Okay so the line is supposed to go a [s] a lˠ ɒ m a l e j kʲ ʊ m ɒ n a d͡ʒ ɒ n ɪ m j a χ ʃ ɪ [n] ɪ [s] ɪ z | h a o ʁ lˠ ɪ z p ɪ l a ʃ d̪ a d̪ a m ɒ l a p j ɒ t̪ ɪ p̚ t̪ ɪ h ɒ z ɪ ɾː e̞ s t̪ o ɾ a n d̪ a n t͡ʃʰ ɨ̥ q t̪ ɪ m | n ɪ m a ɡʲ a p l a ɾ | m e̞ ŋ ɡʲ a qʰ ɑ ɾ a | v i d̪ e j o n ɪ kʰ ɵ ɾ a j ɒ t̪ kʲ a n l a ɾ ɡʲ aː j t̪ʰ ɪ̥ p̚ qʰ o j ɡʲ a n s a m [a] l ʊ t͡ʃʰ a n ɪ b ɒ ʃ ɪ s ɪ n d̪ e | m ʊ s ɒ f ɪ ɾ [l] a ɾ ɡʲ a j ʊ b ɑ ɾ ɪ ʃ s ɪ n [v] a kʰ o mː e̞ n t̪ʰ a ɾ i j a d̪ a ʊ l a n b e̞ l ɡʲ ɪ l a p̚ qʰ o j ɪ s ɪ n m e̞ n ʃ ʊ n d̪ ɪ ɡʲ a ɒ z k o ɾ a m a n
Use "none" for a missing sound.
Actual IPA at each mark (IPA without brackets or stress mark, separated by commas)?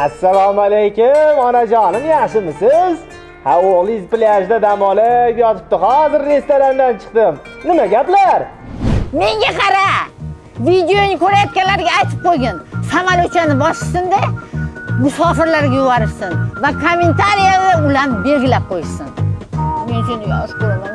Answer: sː, m, s, a, l, v